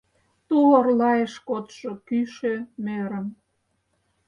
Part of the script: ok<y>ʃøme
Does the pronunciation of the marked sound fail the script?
no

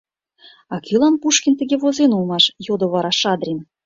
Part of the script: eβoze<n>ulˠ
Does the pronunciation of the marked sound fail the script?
no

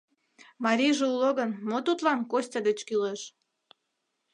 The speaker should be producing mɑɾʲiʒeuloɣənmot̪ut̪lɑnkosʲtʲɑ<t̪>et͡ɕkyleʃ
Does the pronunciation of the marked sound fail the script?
yes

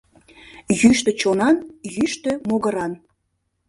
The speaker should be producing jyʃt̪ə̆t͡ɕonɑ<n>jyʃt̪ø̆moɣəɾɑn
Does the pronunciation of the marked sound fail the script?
no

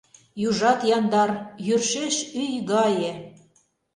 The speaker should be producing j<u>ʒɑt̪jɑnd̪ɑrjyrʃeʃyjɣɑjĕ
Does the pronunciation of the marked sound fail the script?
no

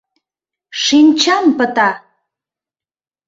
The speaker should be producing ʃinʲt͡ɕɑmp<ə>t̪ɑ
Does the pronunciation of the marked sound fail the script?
no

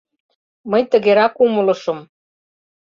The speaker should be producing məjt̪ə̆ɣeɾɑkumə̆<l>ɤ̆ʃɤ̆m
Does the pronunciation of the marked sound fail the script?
no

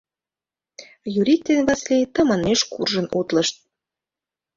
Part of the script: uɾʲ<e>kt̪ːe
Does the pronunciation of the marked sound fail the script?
yes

